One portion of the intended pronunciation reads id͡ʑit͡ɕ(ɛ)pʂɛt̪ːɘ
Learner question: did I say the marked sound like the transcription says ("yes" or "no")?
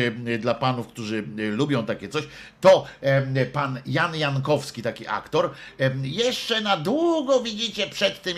yes